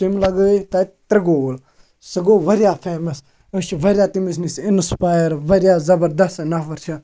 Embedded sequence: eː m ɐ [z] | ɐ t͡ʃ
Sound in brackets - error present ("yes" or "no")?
yes